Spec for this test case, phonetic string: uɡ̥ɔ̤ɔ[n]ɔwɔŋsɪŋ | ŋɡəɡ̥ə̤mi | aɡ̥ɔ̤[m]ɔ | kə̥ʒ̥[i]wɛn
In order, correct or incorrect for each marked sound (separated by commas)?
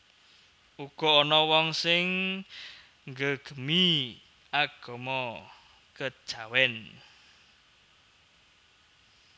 correct, correct, incorrect